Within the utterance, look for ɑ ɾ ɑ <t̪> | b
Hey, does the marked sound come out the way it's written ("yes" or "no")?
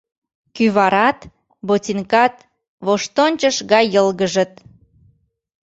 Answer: yes